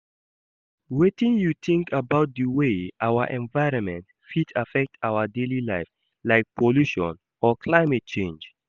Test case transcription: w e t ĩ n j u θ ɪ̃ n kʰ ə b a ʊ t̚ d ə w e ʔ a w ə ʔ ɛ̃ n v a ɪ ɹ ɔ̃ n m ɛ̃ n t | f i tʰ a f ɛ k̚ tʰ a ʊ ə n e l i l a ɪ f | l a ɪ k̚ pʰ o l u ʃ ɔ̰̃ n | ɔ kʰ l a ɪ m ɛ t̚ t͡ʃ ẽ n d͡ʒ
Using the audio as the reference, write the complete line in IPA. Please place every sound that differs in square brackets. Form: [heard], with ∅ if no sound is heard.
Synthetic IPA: w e t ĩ n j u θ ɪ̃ [ŋ] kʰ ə b a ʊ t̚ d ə w e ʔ a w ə ʔ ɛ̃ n v a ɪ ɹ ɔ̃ n m ɛ̃ n t | f i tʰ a f ɛ k̚ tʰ a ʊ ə [d] e l i l a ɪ f | l a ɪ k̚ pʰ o l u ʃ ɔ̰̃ n | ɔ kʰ l a ɪ m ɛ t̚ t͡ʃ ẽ n d͡ʒ